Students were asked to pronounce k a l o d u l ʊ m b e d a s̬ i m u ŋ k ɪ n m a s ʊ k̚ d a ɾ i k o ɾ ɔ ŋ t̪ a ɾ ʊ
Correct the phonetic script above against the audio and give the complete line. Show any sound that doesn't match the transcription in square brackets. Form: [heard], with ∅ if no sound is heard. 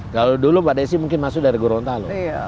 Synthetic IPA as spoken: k a l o d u l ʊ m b [a] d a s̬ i m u ŋ k ɪ n m a s ʊ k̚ d a ɾ i [ɡ] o ɾ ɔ [n] t̪ a [l] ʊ